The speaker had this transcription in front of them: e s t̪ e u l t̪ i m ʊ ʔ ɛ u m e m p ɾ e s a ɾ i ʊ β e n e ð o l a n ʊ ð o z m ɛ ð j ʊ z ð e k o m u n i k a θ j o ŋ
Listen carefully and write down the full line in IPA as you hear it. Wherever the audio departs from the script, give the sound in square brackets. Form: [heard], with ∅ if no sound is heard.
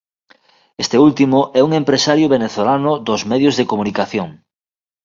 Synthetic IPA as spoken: e s t̪ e u l t̪ i m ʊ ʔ ɛ u [ŋ] e m p ɾ e s a ɾ [j] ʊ β e n e [θ] o l a n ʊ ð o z m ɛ ð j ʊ z ð e k o m u n i k a θ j o ŋ